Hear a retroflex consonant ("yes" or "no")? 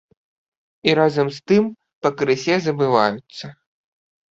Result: no